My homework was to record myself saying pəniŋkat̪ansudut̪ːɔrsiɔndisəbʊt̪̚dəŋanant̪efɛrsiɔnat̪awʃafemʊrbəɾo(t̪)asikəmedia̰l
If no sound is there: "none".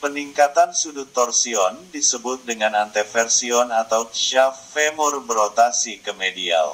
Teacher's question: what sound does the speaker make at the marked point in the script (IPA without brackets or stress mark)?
t̪